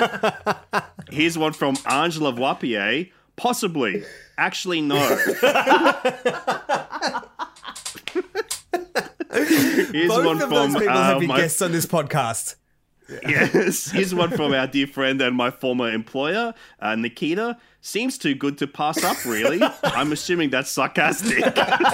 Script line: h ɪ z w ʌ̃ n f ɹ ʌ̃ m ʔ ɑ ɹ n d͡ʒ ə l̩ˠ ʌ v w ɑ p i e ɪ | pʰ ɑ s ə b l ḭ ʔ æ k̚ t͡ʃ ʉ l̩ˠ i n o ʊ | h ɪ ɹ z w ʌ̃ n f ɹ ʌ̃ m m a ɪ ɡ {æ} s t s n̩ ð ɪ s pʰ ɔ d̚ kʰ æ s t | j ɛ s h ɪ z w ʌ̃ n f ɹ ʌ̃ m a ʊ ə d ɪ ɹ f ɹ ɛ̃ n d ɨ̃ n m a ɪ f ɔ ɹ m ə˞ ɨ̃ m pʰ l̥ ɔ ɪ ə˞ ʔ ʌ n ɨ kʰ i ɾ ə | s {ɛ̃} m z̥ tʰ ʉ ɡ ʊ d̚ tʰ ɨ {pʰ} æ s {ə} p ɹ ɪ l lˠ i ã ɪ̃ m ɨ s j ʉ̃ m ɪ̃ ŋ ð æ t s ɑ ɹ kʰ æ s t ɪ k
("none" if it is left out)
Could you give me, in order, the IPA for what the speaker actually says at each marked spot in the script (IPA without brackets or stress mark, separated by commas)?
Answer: ɛ, ĩ, pʰ, ʌ